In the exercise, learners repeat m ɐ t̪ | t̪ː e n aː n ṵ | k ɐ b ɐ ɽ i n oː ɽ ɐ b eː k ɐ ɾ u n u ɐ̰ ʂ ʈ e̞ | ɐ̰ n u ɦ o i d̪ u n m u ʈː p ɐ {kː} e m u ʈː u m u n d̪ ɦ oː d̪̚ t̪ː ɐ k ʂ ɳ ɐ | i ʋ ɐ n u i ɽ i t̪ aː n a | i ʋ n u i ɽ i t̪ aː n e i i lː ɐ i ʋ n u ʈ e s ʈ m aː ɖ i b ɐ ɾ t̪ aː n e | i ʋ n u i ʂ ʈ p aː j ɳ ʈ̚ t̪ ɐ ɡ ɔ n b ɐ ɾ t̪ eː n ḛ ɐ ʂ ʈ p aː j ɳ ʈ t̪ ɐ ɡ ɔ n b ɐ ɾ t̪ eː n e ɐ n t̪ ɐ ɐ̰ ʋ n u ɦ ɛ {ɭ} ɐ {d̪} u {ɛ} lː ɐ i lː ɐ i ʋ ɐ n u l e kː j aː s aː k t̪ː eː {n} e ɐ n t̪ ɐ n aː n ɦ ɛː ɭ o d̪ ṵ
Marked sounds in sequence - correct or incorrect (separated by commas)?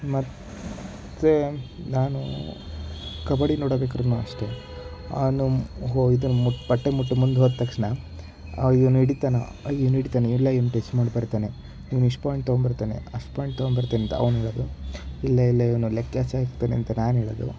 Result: incorrect, correct, correct, incorrect, correct